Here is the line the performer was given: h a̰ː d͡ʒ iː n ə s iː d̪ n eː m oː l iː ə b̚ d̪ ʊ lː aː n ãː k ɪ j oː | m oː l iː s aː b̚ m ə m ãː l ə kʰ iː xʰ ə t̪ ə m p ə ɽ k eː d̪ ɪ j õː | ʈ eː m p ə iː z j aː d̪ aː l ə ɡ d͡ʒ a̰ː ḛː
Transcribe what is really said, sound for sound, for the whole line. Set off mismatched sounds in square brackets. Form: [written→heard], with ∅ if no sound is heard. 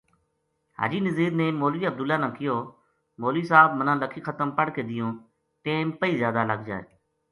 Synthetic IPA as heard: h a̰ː d͡ʒ iː n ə [s→z] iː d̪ n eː m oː l iː ə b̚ d̪ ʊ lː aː n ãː k ɪ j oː | m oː l iː s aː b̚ m ə [m→n] ãː l ə kʰ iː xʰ ə t̪ ə m p ə ɽ k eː d̪ ɪ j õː | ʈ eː m p ə iː z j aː d̪ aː l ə ɡ d͡ʒ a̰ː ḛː